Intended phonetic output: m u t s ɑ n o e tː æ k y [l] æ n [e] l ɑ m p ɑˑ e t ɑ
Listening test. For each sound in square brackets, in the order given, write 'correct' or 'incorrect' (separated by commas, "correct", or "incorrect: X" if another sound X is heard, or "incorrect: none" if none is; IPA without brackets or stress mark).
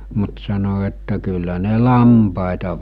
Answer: incorrect: lː, correct